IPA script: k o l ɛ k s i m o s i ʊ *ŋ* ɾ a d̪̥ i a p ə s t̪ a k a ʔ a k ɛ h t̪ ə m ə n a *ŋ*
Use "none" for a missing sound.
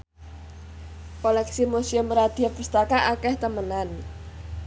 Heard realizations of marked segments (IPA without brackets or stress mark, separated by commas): m, n